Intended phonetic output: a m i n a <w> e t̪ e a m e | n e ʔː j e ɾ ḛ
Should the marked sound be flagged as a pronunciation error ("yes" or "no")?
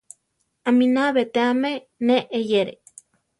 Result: yes